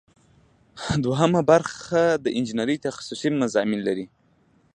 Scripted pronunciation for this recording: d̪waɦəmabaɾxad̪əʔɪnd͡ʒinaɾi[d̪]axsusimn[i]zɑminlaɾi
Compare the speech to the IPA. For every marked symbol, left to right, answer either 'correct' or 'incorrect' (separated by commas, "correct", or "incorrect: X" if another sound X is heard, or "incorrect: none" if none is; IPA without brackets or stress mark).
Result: incorrect: t̪, incorrect: a